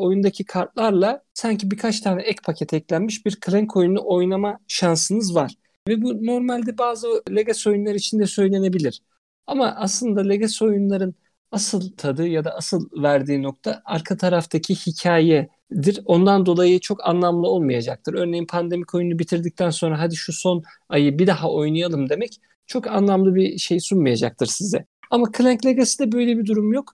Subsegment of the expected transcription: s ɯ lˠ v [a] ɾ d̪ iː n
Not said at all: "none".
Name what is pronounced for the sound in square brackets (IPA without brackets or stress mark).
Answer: æ